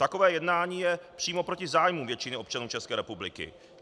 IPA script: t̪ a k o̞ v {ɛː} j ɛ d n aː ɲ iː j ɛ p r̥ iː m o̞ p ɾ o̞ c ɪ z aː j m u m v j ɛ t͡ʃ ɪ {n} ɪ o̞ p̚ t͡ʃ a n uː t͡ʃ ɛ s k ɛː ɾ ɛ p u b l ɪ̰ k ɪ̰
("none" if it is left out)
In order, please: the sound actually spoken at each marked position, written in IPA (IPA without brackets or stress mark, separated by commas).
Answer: ɛː, n